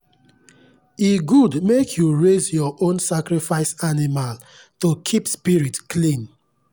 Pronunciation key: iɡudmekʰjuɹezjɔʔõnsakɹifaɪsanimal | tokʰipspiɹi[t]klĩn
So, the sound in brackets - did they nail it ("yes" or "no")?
yes